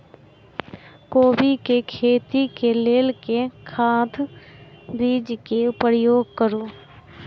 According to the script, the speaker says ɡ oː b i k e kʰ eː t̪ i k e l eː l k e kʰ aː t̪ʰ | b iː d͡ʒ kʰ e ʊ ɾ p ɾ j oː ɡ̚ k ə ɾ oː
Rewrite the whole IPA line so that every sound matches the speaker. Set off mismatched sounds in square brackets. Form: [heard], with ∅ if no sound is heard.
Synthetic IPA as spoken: [k] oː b i k e kʰ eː t̪ i k e l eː l k e kʰ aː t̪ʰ | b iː d͡ʒ [k] e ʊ [∅] p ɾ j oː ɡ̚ k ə ɾ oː